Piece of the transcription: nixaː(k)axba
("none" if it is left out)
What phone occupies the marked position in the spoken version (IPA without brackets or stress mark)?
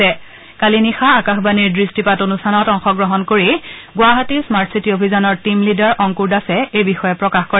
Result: k